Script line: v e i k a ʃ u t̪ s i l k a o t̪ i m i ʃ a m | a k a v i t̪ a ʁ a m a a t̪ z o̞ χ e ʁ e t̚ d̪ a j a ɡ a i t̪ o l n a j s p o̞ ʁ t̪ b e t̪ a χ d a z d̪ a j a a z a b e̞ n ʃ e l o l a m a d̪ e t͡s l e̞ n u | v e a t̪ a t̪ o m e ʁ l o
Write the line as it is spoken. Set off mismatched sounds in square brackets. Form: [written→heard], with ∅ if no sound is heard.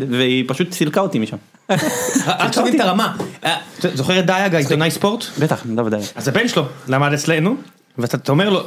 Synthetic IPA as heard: v e i [k→p] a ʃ u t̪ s i l k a o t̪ i m i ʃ a m | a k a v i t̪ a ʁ a m a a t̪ z o̞ χ e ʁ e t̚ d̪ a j a ɡ a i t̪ o [l→∅] n a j s p o̞ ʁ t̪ b e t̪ a χ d a [z→v] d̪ a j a a z a b e̞ n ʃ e l o l a m a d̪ e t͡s l e̞ n u | v e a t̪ a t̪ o m e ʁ l o